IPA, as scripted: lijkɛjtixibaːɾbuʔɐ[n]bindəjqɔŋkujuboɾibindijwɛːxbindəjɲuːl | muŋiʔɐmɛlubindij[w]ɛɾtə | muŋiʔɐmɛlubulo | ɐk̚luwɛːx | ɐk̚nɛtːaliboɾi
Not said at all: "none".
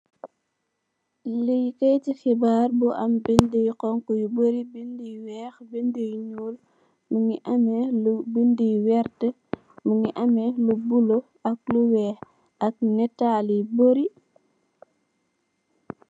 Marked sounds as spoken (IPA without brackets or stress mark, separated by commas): m, w